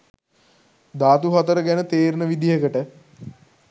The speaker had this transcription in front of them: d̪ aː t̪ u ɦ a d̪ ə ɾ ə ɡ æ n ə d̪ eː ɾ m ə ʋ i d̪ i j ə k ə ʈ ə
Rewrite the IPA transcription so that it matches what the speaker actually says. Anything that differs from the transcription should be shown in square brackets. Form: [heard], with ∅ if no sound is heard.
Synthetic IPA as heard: d̪ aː t̪ u ɦ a [t̪] ə ɾ ə ɡ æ n ə [t̪] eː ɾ [n] ə ʋ i d̪ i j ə k ə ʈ ə